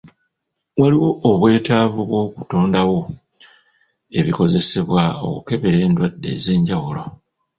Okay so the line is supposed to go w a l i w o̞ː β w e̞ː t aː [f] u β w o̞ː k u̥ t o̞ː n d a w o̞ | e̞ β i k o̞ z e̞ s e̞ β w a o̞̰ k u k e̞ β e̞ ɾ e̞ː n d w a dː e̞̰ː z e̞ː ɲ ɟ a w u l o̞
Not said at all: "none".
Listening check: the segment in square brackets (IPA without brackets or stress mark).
v